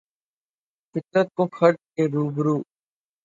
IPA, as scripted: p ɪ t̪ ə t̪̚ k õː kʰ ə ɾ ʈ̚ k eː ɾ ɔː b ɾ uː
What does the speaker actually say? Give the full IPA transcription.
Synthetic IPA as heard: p ɪ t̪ ə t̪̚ k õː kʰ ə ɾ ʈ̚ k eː ɾ uː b ɾ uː